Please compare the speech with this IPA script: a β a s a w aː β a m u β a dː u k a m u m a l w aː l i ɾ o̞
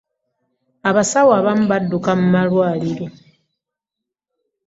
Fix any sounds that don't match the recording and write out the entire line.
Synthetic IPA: a β a s a w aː β a m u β a dː u k a m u m a l w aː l i ɾ o̞